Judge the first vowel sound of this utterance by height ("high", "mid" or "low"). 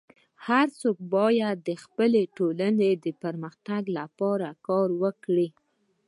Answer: low